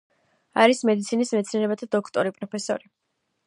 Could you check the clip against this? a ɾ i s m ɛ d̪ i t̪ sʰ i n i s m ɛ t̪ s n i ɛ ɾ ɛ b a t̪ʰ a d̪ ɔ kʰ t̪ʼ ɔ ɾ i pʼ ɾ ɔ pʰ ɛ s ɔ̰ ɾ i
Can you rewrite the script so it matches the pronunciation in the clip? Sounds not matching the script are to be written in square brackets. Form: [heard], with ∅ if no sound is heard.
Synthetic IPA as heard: a ɾ i s m ɛ d̪ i t̪ sʰ i n i s m ɛ t̪ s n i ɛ ɾ ɛ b a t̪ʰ a d̪ ɔ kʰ t̪ʼ ɔ ɾ i pʼ ɾ ɔ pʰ ɛ s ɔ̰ ɾ i